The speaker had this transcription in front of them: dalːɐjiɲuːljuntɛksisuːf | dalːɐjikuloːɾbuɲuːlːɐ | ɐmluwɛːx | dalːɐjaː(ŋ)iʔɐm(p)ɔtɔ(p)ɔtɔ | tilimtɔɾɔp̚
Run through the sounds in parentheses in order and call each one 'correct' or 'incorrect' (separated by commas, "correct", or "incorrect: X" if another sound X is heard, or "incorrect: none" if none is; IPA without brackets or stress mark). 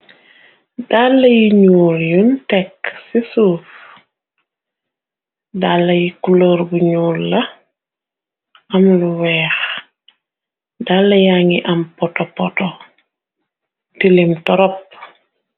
correct, correct, correct